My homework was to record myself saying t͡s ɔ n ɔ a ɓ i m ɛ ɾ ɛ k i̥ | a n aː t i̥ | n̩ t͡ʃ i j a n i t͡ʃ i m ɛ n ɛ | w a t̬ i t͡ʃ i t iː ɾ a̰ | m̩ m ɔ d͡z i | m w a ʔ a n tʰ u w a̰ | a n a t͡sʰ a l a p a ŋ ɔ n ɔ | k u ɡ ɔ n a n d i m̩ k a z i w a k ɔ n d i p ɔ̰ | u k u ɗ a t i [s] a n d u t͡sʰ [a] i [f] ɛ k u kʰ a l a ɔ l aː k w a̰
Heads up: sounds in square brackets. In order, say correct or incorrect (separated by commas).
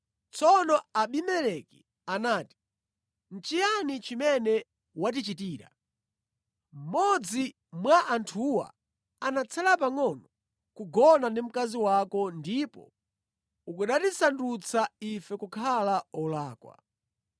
correct, correct, correct